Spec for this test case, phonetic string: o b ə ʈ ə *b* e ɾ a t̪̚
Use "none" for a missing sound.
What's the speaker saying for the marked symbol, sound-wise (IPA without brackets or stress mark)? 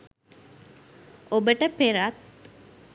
p